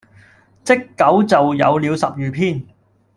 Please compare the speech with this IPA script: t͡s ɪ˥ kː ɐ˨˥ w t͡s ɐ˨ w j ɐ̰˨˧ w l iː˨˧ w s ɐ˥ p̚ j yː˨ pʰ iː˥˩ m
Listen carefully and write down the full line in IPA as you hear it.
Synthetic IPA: t͡s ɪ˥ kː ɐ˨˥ w t͡s ɐ˨ w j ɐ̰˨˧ w l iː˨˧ w s ɐ˨ p̚ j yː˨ pʰ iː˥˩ n